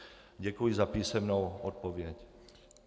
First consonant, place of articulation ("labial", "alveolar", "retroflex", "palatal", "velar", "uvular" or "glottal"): palatal